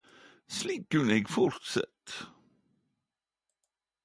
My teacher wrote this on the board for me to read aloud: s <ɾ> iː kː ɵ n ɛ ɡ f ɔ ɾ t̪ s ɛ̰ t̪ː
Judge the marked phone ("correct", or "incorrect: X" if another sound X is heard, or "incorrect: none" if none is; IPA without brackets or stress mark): incorrect: l